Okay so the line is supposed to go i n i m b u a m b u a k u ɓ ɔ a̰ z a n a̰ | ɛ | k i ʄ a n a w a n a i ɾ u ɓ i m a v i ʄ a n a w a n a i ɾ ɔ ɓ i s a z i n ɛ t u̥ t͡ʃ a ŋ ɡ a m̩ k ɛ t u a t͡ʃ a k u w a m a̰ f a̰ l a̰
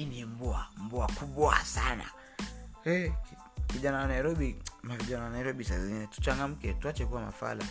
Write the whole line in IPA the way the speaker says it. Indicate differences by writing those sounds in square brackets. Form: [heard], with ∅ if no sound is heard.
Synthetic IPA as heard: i n i m b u a m b u a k u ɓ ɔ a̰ [s] a n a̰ | ɛ | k i ʄ a n a w a n a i ɾ [ɔ] ɓ i m a v i ʄ a n a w a n a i ɾ ɔ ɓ i s a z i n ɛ t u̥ t͡ʃ a ŋ ɡ a m̩ k ɛ t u a t͡ʃ [ɛ] k u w a m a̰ f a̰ l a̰